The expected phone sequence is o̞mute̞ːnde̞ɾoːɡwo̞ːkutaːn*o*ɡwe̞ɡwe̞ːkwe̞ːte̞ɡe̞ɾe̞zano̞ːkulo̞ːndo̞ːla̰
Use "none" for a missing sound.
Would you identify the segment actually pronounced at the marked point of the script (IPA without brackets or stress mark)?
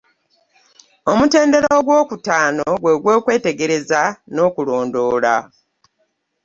o